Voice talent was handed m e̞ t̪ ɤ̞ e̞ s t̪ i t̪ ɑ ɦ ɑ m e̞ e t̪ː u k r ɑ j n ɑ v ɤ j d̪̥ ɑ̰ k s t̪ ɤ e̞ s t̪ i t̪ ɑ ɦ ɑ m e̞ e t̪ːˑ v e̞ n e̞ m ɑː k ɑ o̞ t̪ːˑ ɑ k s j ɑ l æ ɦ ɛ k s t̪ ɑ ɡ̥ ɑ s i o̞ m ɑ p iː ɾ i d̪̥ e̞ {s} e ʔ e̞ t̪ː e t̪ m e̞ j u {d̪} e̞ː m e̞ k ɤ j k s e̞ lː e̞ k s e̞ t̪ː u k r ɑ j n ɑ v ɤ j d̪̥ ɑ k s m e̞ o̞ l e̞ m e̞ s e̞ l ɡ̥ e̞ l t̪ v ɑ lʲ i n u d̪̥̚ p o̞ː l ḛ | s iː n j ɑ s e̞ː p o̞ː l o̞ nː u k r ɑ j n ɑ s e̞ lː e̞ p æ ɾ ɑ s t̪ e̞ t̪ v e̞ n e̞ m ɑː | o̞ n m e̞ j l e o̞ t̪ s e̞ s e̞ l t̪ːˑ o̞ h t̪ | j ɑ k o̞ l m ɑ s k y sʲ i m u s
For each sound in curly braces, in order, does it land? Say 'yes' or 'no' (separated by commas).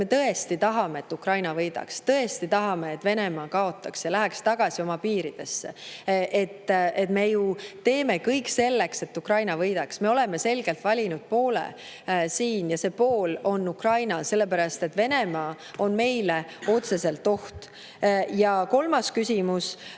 no, no